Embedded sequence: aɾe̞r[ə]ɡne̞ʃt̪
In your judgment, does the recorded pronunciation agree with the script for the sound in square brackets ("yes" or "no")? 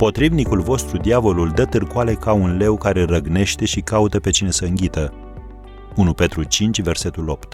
yes